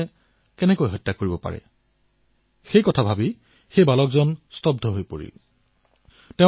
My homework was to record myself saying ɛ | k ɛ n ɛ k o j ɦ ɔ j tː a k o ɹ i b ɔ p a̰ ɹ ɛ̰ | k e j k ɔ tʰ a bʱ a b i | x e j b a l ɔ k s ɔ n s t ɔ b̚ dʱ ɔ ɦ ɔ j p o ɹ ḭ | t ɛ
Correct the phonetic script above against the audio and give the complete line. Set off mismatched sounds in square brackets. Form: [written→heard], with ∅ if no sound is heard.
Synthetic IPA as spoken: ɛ | k ɛ n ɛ k o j ɦ ɔ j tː a k o ɹ i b ɔ p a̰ ɹ ɛ̰ | [k→x] e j k ɔ tʰ a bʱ a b i | x e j b a l ɔ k [s→z] ɔ n s t ɔ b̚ dʱ ɔ ɦ [ɔ→o] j p o ɹ ḭ | t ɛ